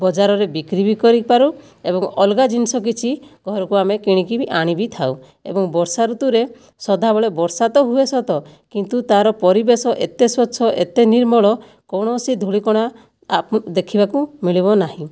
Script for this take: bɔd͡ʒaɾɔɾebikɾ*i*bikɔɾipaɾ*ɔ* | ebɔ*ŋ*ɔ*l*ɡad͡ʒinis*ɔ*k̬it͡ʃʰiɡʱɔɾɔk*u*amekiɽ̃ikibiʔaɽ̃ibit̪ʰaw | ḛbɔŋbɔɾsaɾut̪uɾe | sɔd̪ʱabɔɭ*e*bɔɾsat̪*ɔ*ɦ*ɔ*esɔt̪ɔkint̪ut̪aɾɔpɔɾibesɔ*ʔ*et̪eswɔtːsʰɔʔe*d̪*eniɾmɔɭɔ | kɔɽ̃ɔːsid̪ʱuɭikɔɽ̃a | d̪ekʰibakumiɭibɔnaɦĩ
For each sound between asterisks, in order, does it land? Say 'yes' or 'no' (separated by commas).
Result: yes, no, yes, yes, yes, yes, yes, yes, no, yes, no